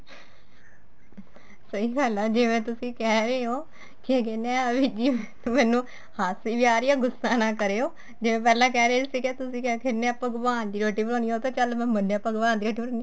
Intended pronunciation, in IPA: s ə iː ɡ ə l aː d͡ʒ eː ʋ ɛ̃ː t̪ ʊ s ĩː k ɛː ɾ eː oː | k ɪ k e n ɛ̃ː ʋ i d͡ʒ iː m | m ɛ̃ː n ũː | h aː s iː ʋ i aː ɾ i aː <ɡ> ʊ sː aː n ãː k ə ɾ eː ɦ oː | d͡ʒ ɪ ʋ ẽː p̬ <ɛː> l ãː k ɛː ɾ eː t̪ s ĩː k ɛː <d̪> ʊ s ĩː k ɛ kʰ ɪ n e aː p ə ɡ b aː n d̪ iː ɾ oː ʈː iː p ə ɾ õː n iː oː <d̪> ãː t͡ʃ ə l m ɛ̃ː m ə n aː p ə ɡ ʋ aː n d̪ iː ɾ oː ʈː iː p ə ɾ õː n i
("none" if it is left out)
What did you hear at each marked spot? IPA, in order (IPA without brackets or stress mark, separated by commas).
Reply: ɡ, ɛː, t̪, t̪